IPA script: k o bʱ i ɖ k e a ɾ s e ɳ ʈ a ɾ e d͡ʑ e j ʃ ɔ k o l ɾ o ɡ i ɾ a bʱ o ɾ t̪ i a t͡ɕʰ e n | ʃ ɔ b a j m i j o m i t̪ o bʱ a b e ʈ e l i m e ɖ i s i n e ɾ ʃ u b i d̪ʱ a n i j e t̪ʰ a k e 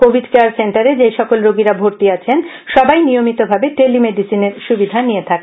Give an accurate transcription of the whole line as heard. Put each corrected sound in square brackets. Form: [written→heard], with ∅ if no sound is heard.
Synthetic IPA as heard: k o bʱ i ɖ k e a ɾ s e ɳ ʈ a ɾ e d͡ʑ e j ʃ ɔ k o l ɾ o ɡ i ɾ a bʱ o ɾ t̪ i a t͡ɕʰ e n | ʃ ɔ b a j [m→n] i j o m i t̪ o bʱ a b e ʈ e l i m e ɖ i s i n e ɾ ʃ u b i d̪ʱ a n i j e t̪ʰ a k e